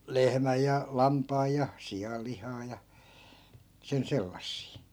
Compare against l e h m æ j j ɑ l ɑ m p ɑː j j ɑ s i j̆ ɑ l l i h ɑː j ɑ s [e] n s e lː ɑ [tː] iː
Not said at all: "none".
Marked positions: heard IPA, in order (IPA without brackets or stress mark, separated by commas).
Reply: e, sː